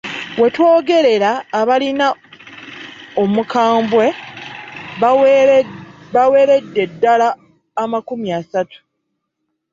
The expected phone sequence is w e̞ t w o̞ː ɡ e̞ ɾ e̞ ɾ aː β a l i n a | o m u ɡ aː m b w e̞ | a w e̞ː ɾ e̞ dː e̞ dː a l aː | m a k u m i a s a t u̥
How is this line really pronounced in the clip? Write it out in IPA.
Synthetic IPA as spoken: w e̞ t w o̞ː ɡ e̞ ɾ e̞ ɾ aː β a l i n a | o m u k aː m b w e̞ | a w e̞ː ɾ e̞ dː e̞ dː a l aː | m a k u m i a s a t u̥